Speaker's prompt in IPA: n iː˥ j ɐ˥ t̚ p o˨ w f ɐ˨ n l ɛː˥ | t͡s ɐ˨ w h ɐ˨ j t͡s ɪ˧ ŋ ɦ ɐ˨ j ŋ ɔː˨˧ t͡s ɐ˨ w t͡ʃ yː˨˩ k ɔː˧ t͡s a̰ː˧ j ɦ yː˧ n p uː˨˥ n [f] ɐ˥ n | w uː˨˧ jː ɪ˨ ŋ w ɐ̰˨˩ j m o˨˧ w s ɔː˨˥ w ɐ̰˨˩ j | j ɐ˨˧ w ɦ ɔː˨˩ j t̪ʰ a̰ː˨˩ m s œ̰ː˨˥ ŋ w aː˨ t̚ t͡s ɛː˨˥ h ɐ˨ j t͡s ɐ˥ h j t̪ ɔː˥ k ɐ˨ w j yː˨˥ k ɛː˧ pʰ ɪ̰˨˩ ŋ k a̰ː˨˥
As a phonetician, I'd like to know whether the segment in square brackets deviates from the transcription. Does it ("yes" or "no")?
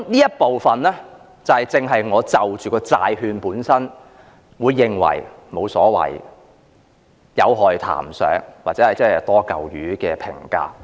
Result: yes